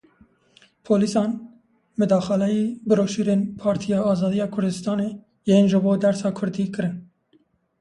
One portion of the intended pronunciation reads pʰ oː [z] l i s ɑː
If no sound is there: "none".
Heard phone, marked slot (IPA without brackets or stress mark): none